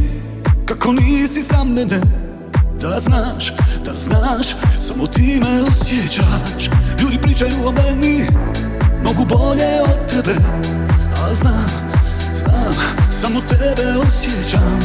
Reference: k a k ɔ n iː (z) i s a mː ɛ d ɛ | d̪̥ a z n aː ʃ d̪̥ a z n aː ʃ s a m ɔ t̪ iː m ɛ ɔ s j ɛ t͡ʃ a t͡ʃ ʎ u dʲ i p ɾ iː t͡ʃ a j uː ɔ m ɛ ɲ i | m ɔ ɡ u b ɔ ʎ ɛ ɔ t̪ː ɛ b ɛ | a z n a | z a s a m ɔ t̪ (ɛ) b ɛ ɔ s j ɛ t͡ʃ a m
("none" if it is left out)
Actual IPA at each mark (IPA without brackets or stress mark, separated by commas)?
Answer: s, ɛ